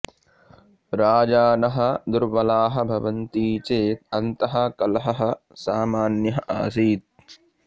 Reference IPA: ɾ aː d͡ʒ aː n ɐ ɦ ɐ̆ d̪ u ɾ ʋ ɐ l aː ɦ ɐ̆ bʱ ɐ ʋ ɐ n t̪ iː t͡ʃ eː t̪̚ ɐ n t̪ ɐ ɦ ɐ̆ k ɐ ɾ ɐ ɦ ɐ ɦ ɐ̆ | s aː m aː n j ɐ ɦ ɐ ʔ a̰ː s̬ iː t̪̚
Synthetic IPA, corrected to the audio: ɾ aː d͡ʒ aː n ɐ ɦ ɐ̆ d̪ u ɾ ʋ ɐ l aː ɦ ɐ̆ bʱ ɐ ʋ ɐ n t̪ iː t͡ʃ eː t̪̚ ɐ n t̪ ɐ ɦ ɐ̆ k ɐ l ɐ ɦ ɐ ɦ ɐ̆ | s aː m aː n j ɐ ɦ ɐ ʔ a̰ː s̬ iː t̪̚